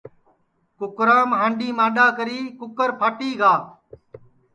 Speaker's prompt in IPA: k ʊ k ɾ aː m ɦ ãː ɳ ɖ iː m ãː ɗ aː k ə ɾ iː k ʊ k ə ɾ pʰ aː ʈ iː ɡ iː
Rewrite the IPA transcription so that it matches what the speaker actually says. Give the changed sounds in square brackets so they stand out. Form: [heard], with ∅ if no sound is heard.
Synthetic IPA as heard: k ʊ k ɾ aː m ɦ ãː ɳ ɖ iː m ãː ɗ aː k ə ɾ iː k ʊ k ə ɾ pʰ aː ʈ iː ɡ [aː]